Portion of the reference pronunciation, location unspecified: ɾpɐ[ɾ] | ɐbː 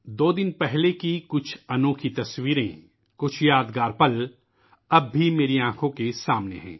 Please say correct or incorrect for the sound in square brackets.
incorrect